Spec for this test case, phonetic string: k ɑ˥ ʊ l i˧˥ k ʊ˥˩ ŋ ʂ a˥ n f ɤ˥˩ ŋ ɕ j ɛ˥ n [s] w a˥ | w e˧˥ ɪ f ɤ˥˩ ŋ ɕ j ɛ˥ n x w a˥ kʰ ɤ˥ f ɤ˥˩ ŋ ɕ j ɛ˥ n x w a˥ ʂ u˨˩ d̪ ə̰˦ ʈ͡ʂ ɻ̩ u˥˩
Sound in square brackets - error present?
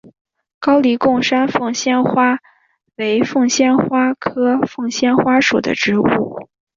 yes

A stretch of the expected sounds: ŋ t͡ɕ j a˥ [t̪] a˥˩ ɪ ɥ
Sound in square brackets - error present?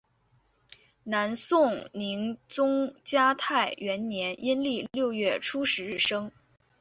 yes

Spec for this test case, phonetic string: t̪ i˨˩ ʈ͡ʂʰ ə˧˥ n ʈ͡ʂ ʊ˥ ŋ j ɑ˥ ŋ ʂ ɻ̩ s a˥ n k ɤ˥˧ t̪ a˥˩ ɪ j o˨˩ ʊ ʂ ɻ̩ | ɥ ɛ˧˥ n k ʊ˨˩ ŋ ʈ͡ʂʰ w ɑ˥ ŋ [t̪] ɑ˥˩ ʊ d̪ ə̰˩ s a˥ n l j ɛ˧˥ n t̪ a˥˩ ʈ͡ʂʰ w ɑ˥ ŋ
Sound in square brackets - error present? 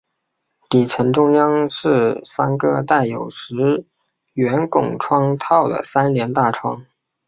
yes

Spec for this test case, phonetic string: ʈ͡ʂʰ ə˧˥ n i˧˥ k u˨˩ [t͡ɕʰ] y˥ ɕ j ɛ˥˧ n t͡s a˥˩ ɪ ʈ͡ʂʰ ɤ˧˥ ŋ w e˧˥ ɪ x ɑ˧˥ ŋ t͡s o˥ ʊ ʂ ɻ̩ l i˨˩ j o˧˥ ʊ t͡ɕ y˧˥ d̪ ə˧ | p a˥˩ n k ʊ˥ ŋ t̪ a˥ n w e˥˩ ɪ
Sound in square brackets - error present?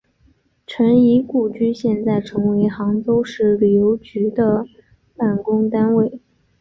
yes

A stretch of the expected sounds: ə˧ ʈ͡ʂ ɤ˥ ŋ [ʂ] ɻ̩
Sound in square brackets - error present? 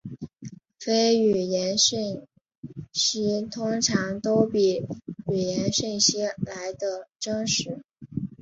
no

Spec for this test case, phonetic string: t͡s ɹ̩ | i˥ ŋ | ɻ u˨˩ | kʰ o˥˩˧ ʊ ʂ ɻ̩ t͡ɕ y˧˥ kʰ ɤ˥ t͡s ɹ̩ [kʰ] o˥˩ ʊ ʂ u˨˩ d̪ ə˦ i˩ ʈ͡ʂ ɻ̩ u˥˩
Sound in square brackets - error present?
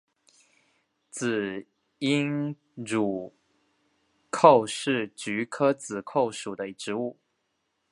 no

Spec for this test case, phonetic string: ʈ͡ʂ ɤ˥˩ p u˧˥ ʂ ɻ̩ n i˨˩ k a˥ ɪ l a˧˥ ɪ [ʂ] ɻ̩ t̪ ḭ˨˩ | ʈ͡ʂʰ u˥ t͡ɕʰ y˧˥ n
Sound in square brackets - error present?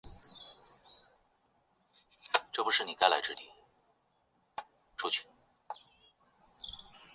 yes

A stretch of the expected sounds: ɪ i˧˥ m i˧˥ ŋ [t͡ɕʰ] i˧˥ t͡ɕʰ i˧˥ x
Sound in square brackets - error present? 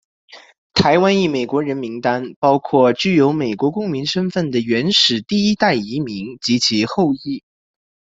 yes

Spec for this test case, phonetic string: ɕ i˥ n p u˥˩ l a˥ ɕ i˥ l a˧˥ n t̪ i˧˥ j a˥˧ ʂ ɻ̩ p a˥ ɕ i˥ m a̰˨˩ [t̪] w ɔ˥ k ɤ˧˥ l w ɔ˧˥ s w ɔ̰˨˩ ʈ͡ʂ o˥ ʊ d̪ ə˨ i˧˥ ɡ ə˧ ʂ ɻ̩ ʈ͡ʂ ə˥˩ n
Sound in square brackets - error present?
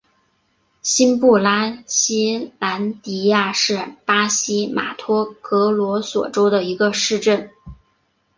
yes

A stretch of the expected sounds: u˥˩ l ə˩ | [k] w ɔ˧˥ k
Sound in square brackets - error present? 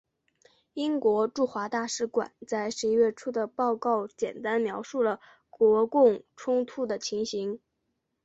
no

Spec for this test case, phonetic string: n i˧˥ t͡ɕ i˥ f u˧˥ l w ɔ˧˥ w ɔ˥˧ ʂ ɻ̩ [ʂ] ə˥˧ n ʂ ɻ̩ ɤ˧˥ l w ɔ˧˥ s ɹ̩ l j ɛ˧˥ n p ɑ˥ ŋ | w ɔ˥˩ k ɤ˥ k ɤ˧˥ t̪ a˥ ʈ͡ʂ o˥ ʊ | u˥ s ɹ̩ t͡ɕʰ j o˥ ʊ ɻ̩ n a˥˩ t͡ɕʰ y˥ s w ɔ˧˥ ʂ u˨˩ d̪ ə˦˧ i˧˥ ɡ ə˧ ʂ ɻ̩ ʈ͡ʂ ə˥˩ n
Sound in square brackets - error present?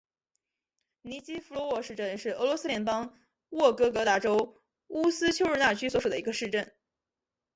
yes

